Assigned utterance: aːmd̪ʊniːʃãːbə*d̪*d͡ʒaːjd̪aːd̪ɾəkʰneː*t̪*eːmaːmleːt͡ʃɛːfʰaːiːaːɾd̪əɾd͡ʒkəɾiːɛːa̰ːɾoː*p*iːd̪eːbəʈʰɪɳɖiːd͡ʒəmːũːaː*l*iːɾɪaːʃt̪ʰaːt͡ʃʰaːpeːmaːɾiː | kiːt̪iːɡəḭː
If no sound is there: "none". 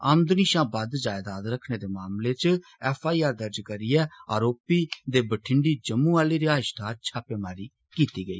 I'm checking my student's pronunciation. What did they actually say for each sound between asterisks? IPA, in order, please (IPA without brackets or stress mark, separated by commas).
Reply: d̪, d̪, p, l